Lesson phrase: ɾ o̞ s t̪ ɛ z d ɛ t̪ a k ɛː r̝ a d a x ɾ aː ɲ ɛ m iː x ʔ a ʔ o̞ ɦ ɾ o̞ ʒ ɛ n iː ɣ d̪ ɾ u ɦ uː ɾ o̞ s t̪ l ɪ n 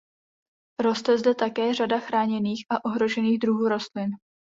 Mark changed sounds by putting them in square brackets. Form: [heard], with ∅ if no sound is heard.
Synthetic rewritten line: ɾ o̞ s t̪ ɛ z d ɛ t̪ a k ɛː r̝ a d a x ɾ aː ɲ ɛ [n] iː x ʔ a ʔ o̞ ɦ ɾ o̞ ʒ ɛ n iː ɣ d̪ ɾ u ɦ uː ɾ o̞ s t̪ l ɪ n